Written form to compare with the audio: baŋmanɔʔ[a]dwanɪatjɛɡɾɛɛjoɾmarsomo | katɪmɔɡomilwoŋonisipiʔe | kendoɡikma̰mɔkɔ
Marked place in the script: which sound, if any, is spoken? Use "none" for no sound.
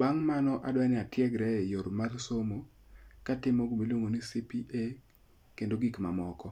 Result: a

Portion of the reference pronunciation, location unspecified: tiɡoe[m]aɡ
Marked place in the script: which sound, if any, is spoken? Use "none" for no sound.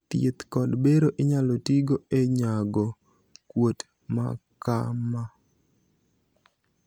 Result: ɲ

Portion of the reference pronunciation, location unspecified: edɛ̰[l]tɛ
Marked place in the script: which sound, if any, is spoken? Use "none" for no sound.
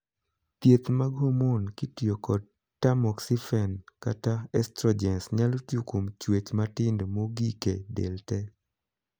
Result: l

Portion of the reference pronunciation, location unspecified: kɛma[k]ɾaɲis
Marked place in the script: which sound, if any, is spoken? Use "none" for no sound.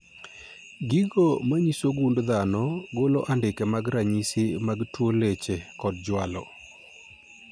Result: ɡ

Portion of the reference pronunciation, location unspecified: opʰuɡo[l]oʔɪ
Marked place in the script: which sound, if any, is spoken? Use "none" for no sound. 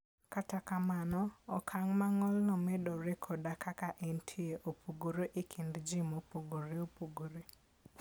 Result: ɾ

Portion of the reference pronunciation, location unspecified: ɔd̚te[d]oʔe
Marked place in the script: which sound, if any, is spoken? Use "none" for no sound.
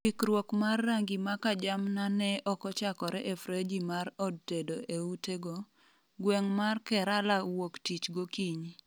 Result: d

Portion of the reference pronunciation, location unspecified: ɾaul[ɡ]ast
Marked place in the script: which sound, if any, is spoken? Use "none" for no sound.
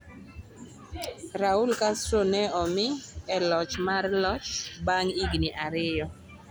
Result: k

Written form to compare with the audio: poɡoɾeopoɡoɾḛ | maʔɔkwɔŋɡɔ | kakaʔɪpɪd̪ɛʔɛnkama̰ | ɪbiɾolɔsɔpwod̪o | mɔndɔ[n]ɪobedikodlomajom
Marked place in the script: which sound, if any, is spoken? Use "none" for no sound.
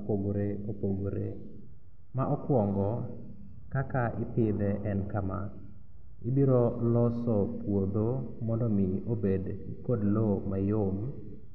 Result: m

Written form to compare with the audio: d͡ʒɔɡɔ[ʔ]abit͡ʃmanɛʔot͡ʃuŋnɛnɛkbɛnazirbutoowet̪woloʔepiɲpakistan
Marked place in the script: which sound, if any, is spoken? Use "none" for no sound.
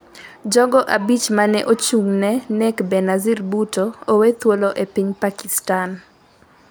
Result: ʔ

